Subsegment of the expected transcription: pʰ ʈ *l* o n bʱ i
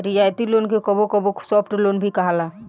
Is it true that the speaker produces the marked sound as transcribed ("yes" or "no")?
yes